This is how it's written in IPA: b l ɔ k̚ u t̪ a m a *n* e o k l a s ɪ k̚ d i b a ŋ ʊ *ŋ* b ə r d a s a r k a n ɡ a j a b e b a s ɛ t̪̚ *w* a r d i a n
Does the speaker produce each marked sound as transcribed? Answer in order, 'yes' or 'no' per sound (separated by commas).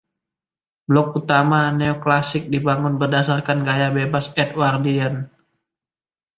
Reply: yes, no, yes